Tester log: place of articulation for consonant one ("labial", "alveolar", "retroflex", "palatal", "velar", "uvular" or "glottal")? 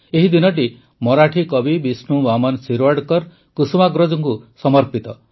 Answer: glottal